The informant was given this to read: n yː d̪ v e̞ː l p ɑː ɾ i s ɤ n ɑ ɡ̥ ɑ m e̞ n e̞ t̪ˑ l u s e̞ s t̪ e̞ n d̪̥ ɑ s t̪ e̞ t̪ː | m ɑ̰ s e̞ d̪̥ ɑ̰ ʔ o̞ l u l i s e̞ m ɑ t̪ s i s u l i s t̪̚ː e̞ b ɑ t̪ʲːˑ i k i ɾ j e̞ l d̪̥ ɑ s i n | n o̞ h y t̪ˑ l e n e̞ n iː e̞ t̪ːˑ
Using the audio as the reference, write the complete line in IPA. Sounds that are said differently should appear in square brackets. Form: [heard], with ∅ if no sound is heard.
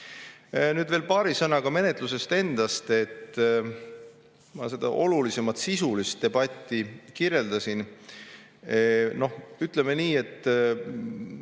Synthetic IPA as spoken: n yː d̪ v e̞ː l p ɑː ɾ i s ɤ n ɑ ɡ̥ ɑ m e̞ n e̞ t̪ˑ l u s e̞ s t̪ e̞ n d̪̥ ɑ s t̪ e̞ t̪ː | m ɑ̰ s e̞ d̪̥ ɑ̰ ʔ o̞ l u l i s e̞ m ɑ t̪ s i s u l i s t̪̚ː e̞ b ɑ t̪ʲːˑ i k i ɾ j e̞ l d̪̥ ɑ s i n | n o̞ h y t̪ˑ l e [m] e̞ n iː e̞ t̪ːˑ

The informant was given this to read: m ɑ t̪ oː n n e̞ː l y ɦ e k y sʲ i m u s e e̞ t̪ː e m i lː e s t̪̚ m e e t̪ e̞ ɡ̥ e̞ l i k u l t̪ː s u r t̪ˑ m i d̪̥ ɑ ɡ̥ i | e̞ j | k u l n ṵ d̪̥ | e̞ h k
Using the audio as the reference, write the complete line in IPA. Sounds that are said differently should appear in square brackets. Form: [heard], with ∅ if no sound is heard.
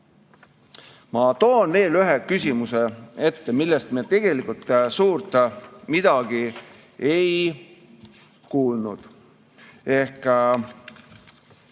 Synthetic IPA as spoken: m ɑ t̪ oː n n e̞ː l y ɦ e k y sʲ i m u s e e̞ t̪ː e m i lː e s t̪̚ m [i] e t̪ e̞ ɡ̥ e̞ l i k u l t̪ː s [uː] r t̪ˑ m i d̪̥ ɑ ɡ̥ i | e̞ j | k [uː] l n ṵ d̪̥ | e̞ h k

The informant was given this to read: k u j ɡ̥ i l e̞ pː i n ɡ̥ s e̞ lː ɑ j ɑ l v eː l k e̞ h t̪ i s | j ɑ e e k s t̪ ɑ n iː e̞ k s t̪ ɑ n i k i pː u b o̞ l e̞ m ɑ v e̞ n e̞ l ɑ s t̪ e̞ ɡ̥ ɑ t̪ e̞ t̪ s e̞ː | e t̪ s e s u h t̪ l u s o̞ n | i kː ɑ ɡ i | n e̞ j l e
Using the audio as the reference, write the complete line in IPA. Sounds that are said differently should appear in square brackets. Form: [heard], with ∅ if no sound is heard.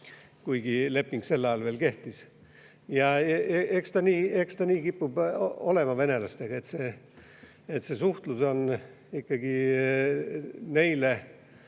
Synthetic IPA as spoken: k u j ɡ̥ i l e̞ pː i [ŋ] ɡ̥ s e̞ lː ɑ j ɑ l v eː l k e̞ h t̪ i s | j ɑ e e k s t̪ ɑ n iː e̞ k s t̪ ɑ n [iː] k i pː u b o̞ l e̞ m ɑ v e̞ n e̞ l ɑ s t̪ e̞ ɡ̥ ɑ [∅] e̞ t̪ s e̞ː | e t̪ s e s u h t̪ l u s o̞ n | i kː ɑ ɡ i | n e̞ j l e

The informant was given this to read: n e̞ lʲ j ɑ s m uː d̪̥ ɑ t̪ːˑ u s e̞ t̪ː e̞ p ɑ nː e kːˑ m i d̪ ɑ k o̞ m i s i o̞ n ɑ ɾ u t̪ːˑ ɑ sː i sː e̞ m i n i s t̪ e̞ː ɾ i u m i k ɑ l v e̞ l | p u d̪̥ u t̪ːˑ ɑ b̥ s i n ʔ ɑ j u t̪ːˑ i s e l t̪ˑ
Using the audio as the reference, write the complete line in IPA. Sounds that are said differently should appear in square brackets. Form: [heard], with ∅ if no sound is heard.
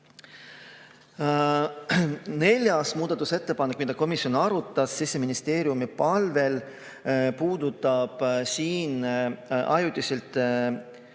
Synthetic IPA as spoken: n e̞ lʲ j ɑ s m uː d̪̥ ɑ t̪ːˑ u s e̞ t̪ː e̞ p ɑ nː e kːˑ m i d̪ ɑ k o̞ m i s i o̞ n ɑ ɾ u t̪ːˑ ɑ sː i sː e̞ m i n i s t̪ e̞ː ɾ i u m i [p] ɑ l v e̞ l | p [uː] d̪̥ u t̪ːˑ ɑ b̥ s [iː] n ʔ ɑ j u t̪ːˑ i s e l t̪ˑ

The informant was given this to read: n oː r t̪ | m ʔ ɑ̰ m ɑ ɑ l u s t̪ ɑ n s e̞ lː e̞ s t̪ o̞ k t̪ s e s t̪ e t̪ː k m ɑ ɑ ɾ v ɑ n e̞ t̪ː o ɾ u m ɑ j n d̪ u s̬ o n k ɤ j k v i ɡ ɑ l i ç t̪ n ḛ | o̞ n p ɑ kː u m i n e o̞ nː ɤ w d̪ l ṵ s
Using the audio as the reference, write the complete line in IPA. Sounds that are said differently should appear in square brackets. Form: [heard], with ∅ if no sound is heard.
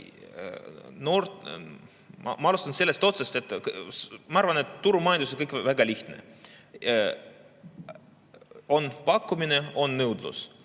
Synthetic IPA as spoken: n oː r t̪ | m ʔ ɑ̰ m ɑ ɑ l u s t̪ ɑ n s e̞ lː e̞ s t̪ o̞ [∅] t̪ s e s t̪ e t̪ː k m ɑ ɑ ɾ v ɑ n e̞ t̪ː [u] ɾ u m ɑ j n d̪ u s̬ o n k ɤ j k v [æ] ɡ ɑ l i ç t̪ n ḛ | o̞ n p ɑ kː u m i n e o̞ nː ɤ w d̪ l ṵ s

